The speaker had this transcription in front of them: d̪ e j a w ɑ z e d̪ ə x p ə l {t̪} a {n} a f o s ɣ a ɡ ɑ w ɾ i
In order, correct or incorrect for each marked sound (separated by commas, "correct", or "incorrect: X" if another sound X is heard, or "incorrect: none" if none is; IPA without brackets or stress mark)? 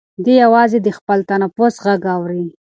correct, correct